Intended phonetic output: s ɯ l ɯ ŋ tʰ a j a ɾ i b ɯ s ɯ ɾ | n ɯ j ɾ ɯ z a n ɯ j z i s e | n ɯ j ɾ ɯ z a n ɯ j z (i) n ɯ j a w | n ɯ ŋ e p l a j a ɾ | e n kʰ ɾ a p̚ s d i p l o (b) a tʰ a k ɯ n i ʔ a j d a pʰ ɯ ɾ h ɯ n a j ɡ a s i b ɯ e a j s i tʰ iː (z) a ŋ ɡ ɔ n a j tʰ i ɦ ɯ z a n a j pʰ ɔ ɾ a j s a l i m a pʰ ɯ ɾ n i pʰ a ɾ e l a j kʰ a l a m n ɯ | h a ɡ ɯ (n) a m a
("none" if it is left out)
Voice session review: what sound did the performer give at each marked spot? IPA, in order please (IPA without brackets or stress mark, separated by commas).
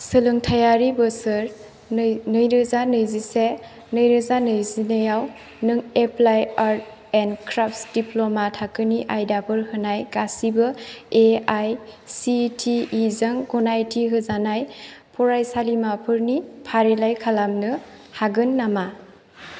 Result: i, m, z, nː